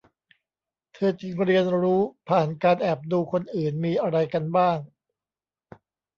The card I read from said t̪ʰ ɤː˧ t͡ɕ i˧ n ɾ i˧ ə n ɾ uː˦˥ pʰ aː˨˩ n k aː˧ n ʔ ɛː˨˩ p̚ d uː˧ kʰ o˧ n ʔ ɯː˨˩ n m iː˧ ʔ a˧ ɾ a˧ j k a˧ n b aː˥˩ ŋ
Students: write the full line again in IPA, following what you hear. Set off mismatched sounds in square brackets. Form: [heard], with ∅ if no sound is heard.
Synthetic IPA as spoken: t̪ʰ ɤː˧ t͡ɕ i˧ [ŋ] ɾ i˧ ə n ɾ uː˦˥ pʰ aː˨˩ n k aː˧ n ʔ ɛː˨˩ p̚ d uː˧ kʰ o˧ n ʔ ɯː˨˩ n m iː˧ ʔ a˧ ɾ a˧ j k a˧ n b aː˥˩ ŋ